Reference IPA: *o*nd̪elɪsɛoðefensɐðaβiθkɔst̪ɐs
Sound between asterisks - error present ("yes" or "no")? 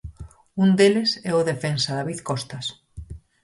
yes